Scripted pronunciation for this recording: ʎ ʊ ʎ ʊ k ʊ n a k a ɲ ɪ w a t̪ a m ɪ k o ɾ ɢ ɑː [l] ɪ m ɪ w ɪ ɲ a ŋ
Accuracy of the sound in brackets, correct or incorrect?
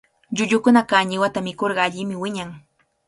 incorrect